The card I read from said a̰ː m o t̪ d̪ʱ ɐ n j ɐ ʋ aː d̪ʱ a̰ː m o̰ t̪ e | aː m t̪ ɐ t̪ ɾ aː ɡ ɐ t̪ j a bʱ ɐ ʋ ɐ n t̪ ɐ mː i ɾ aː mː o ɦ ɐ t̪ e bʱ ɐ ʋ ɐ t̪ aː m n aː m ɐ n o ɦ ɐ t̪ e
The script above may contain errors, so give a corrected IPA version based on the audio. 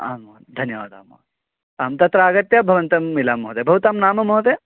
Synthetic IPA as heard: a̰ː m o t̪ d̪ʱ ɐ n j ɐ ʋ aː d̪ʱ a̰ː m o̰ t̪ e | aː m t̪ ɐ t̪ ɾ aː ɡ ɐ t̪ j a bʱ ɐ ʋ ɐ n t̪ ɐ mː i l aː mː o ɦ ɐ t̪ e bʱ ɐ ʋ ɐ t̪ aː m n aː m ɐ m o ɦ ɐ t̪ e